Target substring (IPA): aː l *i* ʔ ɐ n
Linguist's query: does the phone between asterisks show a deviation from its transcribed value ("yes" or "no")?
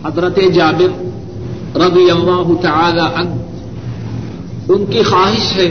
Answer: yes